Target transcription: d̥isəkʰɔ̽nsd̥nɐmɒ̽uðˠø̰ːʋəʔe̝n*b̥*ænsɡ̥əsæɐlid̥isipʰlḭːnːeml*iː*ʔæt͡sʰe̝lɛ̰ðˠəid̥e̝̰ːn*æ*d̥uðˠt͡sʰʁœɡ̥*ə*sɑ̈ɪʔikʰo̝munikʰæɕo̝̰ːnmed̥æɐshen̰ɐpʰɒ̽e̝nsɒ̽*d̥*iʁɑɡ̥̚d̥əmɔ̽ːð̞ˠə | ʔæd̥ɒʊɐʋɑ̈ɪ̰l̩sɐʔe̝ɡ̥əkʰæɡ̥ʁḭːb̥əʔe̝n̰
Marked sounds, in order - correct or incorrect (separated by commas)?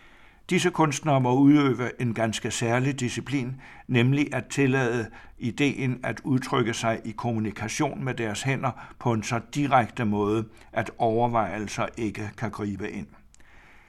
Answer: incorrect, incorrect, correct, correct, correct